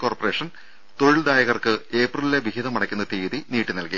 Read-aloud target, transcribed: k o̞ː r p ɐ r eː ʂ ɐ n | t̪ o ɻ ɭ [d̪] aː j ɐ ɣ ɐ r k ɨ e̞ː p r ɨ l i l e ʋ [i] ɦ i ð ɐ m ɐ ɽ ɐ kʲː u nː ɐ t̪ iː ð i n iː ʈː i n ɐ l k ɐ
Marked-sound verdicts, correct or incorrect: correct, correct

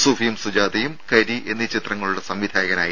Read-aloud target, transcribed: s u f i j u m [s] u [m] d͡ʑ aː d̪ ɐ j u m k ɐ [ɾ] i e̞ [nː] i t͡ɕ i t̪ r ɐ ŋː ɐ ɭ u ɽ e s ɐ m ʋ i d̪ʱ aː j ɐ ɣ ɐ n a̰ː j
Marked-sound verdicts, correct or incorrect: correct, incorrect, correct, correct

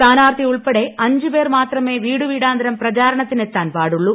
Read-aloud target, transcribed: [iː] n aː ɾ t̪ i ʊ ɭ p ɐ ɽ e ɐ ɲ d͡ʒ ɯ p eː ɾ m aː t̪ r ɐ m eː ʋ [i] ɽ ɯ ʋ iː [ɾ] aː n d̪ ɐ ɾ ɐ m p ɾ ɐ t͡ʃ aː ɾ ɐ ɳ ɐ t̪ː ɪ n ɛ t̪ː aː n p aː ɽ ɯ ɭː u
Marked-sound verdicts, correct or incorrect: incorrect, incorrect, incorrect

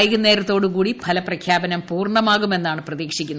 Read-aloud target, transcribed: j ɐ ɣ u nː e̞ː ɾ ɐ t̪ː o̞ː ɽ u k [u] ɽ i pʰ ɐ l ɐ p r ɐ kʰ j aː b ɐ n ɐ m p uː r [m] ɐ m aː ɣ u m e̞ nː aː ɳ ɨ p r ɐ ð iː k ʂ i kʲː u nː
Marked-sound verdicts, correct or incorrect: incorrect, incorrect

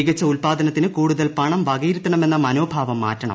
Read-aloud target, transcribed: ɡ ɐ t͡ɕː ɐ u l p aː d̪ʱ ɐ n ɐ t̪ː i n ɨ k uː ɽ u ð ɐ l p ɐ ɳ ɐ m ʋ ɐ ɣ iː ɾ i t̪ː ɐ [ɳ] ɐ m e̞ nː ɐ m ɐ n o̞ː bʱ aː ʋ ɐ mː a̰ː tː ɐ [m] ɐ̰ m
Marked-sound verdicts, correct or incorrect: correct, incorrect

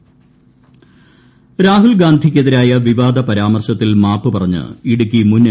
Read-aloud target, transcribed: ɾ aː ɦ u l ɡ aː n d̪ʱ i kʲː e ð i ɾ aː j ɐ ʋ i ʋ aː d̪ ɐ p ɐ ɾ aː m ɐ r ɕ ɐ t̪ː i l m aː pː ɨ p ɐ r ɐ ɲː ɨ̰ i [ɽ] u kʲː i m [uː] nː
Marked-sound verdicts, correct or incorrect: correct, incorrect

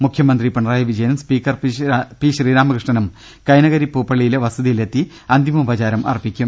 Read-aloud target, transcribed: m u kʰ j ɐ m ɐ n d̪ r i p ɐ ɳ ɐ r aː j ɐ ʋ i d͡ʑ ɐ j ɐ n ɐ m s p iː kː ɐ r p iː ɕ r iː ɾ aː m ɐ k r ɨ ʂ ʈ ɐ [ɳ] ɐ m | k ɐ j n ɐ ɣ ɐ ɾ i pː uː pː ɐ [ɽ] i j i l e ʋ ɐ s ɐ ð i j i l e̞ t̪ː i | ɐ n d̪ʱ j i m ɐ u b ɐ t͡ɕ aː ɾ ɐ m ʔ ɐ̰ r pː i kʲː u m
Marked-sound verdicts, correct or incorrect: incorrect, incorrect

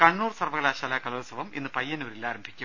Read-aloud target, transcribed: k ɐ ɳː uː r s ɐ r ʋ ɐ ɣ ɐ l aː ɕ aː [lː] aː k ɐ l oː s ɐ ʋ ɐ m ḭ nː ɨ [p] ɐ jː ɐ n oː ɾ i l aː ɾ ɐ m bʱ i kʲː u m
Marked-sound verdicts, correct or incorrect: incorrect, correct

